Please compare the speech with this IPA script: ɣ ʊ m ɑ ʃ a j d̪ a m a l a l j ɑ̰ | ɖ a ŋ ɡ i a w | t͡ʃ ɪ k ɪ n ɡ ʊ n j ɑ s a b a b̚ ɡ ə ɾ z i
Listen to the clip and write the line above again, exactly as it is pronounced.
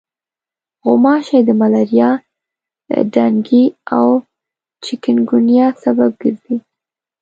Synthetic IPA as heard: ɣ ʊ m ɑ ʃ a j d̪ ə m a l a ɾ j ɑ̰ | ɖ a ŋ ɡ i a w | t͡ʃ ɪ k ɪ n ɡ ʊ n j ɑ s a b a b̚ ɡ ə ɾ z i